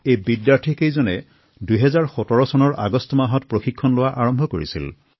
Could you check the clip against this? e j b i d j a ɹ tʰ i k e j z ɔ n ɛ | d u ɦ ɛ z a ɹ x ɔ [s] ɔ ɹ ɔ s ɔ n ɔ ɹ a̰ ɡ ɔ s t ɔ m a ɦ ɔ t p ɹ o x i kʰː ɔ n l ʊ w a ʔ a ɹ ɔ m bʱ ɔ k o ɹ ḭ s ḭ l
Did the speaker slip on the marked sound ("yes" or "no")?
yes